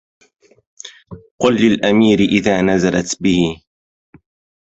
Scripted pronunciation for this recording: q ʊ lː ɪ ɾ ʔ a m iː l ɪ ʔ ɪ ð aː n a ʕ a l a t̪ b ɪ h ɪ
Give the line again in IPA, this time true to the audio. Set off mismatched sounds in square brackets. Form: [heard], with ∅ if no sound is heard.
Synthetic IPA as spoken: q ʊ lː ɪ [l] ʔ a m iː [ɾ] ɪ ʔ ɪ ð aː n a [z] a l a t̪ b ɪ h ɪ